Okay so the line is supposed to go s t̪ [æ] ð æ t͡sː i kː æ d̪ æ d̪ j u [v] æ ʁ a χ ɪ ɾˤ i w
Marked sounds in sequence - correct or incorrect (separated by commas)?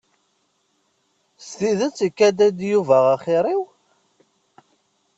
incorrect, correct